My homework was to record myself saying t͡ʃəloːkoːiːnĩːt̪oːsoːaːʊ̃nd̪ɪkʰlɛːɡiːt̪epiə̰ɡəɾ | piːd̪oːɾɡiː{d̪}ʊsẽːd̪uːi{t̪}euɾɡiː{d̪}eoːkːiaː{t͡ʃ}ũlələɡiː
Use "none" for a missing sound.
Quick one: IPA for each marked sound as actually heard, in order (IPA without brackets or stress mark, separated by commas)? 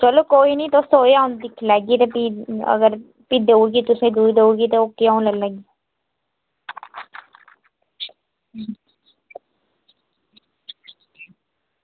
t̪, d̪, t̪, none